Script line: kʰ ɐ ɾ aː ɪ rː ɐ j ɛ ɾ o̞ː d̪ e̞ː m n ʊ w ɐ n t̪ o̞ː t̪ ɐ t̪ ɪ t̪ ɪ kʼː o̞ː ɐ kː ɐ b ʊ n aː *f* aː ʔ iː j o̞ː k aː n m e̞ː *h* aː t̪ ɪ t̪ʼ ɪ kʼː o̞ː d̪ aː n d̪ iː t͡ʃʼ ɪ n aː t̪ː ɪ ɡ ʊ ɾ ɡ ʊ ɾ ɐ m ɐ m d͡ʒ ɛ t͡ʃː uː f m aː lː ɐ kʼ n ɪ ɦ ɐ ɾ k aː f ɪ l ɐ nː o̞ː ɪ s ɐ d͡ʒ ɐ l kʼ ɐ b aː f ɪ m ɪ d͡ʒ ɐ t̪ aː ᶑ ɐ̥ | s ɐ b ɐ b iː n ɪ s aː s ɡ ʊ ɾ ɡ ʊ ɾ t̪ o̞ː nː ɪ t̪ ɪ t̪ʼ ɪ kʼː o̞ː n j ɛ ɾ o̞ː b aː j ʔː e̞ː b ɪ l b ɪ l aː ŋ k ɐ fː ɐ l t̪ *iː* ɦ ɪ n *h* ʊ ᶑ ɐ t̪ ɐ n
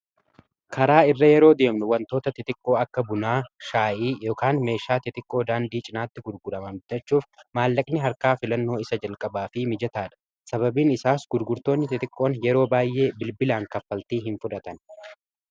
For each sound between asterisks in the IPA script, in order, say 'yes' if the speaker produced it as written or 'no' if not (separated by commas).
no, no, yes, no